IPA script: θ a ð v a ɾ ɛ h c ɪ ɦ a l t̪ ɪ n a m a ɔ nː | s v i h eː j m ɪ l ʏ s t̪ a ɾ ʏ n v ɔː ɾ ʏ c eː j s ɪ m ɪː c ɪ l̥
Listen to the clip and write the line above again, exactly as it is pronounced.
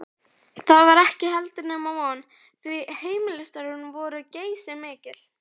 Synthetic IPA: θ a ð v a ɾ ɛ h c ɪ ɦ ɛ l t̪ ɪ n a m a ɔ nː | θ v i h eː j m ɪ l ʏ s t̪ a ɾ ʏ n v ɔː ɾ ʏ c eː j s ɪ m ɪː c ɪ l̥